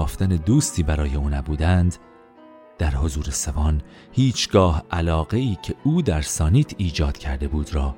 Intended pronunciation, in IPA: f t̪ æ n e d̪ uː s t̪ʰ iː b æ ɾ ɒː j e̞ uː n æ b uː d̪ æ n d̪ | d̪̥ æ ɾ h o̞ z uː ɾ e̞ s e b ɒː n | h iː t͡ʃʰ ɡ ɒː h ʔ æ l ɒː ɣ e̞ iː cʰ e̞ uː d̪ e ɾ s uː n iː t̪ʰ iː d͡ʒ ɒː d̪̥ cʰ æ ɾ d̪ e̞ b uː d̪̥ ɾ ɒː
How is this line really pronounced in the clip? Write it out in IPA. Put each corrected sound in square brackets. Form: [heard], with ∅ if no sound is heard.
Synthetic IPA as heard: f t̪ æ n e d̪ uː s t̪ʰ iː b æ ɾ ɒː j e̞ uː n æ b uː d̪ æ n d̪ | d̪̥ æ ɾ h o̞ z uː ɾ e̞ s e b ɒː n | h iː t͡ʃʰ ɡ ɒː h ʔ æ l ɒː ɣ e̞ iː cʰ e̞ uː d̪ [æ] ɾ s [ɒː] n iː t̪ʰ iː d͡ʒ ɒː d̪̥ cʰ æ ɾ d̪ e̞ b uː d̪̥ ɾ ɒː